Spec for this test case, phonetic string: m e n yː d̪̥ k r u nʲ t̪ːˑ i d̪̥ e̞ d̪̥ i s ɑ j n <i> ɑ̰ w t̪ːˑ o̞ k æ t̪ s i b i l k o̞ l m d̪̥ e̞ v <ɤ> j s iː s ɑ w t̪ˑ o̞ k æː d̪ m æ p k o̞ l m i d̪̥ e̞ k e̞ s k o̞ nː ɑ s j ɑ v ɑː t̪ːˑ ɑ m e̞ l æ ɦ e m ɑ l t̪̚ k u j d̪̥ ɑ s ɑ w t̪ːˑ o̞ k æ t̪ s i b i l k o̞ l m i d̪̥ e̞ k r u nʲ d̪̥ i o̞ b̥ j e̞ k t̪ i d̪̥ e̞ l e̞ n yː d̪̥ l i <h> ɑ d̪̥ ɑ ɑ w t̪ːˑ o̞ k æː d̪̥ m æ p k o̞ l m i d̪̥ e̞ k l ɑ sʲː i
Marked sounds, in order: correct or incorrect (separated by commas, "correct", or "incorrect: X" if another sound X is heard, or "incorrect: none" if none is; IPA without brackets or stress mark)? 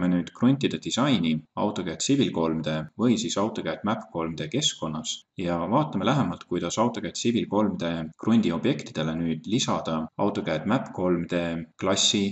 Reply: correct, correct, incorrect: s